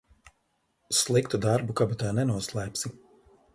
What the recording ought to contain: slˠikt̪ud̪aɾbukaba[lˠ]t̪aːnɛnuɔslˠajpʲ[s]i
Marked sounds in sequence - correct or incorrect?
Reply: incorrect: none, correct

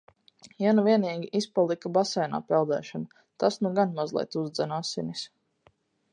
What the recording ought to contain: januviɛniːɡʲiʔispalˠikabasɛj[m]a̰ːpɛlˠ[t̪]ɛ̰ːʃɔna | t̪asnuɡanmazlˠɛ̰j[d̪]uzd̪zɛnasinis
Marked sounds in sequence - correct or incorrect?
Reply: incorrect: n, incorrect: d̪, incorrect: t̪

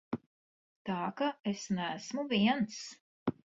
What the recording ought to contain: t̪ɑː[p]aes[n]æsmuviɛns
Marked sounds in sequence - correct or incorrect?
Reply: incorrect: k, correct

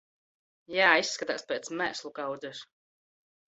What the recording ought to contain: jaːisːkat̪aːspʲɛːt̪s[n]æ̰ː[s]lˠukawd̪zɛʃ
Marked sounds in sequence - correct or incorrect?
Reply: incorrect: m, correct

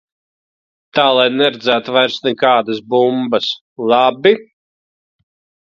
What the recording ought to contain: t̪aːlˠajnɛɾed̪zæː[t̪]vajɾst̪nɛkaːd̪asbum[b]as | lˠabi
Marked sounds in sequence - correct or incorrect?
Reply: correct, correct

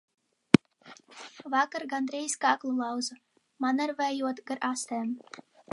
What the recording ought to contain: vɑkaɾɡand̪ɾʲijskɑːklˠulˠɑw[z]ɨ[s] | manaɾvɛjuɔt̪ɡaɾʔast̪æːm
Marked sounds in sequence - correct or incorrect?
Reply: correct, incorrect: none

